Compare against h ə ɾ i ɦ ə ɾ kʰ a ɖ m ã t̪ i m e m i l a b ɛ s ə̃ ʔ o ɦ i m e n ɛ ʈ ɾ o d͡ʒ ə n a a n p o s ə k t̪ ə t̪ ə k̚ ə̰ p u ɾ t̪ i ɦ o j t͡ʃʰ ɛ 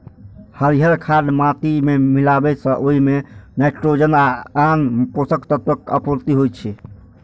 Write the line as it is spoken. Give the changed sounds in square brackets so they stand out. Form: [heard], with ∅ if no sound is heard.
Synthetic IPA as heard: h ə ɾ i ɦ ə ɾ kʰ a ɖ m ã t̪ i m e m i l a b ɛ s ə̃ ʔ o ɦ i m e n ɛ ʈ ɾ o d͡ʒ ə n a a n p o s ə k t̪ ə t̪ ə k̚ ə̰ p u ɾ t̪ i ɦ o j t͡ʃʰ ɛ